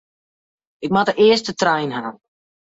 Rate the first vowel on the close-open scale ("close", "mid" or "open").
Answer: close